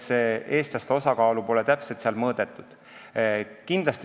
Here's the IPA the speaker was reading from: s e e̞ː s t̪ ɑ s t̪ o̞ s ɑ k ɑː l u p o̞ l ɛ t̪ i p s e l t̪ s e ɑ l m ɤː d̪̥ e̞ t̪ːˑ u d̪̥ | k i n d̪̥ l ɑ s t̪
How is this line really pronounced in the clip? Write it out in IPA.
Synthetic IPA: s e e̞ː s t̪ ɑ s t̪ o̞ s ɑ k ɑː l u p o̞ l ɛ t̪ æ p s e l t̪ s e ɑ l m ɤː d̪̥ e̞ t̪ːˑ u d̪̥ | k i n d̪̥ l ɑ s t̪